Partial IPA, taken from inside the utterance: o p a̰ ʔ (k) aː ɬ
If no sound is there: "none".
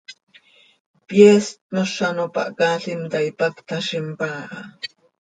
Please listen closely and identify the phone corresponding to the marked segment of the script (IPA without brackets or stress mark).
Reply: k